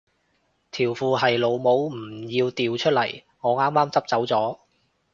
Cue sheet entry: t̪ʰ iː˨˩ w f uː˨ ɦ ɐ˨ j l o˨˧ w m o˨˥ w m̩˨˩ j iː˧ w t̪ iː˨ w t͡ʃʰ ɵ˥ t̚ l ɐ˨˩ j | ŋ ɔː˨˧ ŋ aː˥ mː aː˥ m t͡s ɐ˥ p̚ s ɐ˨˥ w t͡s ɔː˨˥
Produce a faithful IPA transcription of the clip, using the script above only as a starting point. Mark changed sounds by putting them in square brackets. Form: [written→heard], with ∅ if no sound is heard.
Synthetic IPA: t̪ʰ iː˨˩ w f uː˨ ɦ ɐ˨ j l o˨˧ w m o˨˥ w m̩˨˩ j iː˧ w t̪ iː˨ w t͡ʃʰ ɵ˥ t̚ l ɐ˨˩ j | ŋ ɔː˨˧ ŋ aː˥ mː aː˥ m t͡s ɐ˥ p̚ [s→t͡s] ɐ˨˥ w t͡s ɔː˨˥